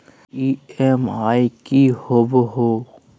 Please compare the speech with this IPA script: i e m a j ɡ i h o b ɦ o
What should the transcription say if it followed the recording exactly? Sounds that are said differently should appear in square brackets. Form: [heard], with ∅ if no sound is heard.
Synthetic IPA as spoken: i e m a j [k] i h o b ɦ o